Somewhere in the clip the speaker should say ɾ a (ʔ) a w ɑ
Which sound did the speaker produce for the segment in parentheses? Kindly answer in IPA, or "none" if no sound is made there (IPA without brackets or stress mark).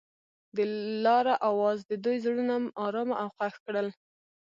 ʔ